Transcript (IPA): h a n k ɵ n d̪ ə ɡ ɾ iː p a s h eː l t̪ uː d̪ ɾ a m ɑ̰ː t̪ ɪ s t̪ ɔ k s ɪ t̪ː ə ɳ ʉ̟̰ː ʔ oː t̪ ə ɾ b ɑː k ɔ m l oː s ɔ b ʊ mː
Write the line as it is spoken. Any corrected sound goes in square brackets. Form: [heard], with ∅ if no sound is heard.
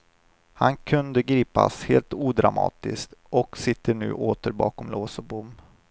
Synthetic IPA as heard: h a n [kʰ] ɵ n d̪ ə ɡ ɾ iː p a s h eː l t̪ uː d̪ ɾ a m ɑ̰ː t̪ ɪ s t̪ ɔ k s ɪ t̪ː ə ɳ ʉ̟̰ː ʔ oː t̪ ə ɾ b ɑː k ɔ m l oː s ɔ b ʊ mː